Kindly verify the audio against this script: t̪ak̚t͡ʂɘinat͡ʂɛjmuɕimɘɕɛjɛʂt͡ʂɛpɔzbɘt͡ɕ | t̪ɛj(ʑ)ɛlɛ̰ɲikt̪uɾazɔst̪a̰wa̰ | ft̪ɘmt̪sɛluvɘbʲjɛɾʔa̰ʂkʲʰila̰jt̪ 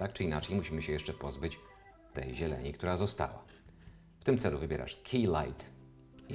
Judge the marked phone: correct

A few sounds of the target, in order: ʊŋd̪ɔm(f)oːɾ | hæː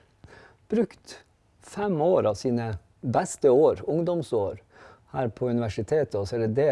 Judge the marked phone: incorrect: s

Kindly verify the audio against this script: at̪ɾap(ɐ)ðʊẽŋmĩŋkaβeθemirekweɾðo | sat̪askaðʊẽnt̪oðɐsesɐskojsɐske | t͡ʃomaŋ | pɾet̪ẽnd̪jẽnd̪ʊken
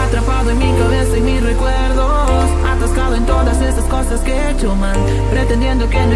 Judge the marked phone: incorrect: a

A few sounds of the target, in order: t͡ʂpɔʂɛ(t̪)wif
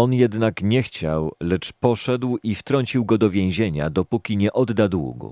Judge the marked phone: incorrect: d̪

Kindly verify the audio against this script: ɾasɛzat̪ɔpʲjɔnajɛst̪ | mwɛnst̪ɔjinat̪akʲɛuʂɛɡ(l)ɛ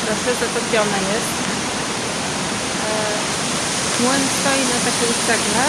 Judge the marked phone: correct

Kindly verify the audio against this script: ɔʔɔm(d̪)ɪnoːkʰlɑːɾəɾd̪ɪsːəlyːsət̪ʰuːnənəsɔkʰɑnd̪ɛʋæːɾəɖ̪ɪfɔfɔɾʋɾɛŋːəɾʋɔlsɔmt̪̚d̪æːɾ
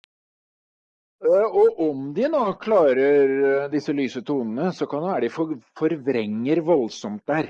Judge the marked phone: correct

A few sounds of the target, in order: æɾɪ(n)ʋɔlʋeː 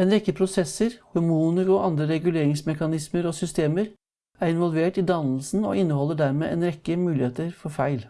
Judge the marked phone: correct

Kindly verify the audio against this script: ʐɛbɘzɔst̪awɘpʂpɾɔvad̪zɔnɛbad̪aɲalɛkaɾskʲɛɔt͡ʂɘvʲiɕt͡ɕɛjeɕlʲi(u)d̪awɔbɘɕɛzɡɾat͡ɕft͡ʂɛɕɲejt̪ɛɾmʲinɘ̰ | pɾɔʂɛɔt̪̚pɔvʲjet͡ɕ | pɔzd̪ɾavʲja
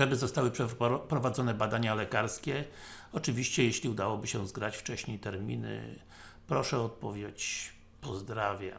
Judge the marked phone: correct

